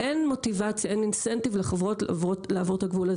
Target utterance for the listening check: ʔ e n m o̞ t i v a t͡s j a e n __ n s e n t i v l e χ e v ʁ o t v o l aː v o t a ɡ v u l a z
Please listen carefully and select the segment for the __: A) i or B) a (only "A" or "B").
A